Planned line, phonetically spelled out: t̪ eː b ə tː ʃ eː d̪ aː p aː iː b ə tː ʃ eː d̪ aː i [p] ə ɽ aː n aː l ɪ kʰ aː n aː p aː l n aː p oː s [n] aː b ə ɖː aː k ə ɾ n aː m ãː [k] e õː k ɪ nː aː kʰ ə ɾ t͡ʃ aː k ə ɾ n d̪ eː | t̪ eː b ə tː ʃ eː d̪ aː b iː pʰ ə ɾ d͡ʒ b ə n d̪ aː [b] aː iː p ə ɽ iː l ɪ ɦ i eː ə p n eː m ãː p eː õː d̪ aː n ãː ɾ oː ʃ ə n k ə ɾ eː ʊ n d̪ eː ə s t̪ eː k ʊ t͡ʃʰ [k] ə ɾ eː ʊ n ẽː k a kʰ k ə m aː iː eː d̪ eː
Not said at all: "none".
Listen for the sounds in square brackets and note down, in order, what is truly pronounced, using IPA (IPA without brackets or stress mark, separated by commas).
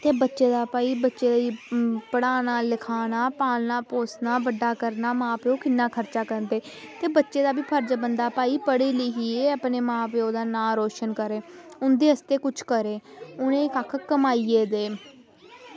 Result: p, n, p, p, k